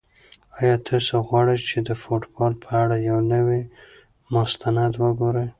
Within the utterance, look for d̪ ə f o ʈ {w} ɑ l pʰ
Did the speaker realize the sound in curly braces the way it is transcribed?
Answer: no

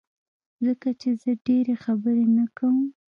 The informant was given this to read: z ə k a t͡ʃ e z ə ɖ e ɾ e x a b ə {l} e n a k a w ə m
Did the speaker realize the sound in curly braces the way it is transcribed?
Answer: no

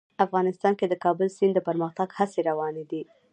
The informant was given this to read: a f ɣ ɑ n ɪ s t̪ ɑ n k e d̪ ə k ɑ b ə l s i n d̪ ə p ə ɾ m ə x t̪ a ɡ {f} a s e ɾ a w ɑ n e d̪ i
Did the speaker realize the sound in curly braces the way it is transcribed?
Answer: no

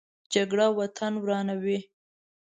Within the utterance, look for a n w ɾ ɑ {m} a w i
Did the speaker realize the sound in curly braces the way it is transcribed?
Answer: no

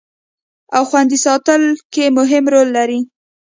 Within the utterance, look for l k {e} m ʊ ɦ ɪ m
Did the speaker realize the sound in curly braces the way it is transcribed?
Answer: yes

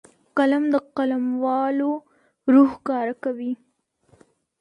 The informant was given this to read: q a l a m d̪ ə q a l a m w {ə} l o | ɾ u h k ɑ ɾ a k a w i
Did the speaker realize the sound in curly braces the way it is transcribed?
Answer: no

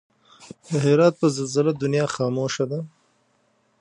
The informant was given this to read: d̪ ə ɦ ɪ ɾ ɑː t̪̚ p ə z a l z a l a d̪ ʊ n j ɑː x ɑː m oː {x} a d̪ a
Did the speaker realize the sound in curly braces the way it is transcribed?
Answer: no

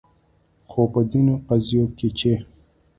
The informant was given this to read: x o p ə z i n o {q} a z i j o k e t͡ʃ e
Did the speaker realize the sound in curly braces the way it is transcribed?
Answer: yes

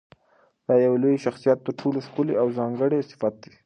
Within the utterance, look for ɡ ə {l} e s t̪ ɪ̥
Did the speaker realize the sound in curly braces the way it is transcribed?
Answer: no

